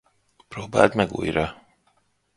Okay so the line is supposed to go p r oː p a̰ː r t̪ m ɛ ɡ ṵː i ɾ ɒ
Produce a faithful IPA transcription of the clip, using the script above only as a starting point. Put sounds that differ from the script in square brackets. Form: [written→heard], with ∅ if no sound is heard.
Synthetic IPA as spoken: p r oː [p→b] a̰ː [r→l] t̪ m ɛ ɡ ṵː [i→j] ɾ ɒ